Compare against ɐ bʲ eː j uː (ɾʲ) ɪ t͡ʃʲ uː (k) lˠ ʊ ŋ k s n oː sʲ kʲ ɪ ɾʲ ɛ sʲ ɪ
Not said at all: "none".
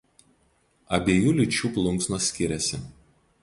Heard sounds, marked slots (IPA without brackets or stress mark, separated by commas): lʲ, p